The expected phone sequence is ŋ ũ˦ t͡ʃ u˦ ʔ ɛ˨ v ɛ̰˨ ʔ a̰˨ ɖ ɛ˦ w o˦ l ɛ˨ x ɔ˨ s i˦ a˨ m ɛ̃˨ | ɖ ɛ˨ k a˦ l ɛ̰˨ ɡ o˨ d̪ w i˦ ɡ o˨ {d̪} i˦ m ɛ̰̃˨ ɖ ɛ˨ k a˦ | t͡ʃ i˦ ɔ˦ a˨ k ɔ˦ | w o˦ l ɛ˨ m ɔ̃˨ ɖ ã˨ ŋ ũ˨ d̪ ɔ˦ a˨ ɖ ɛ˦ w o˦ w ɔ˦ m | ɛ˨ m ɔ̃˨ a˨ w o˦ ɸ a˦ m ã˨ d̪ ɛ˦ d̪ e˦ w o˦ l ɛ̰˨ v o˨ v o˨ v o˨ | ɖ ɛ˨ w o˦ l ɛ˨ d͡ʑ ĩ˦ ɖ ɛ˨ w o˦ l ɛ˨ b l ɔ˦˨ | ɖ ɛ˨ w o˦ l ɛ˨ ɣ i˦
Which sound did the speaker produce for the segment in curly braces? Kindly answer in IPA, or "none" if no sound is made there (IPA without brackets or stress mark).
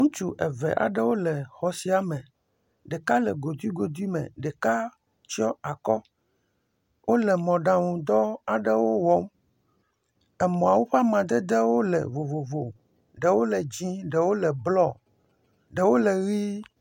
d̪